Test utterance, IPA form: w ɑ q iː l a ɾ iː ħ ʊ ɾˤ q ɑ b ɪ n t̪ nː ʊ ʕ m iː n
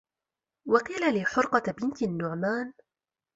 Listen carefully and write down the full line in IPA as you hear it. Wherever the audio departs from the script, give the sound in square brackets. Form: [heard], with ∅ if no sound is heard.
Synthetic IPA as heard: w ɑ q iː l a [l] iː ħ ʊ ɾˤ q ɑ b ɪ n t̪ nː ʊ ʕ m [aː] n

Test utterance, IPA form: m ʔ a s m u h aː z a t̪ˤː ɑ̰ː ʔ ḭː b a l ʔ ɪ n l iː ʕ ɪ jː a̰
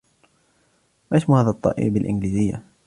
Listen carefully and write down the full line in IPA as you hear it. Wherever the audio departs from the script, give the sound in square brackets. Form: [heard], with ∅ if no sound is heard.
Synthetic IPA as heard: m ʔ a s m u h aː [ð] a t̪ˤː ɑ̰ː ʔ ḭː b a l ʔ ɪ n l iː [z] ɪ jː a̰

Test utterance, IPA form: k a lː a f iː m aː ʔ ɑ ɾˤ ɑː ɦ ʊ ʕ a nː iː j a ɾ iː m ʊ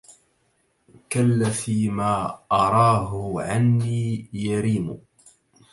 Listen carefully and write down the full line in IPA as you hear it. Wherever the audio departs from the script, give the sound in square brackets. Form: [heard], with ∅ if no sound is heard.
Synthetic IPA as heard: k a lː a f iː m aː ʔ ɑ ɾˤ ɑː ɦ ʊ ʕ a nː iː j a ɾ iː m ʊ

